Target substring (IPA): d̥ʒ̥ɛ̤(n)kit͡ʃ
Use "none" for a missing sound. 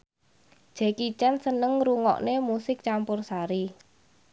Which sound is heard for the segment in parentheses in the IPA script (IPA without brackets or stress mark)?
none